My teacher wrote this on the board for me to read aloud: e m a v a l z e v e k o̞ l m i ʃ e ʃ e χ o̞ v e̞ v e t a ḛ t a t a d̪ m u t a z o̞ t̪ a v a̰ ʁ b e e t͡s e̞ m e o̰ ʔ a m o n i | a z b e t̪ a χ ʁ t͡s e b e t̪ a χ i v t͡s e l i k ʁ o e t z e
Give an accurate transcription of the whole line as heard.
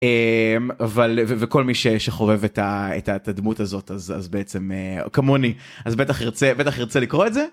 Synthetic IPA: e m a v a l v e v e k o̞ l m i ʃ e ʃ e χ o̞ v e̞ v e t a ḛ t a t a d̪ m u t a z o̞ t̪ a z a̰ z b e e t͡s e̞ m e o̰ k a m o n i | a z b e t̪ a χ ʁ t͡s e b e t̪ a χ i ʁ t͡s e l i k ʁ o e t z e